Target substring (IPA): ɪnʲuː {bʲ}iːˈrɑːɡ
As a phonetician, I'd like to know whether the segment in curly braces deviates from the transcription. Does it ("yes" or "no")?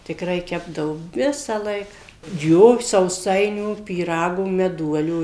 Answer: yes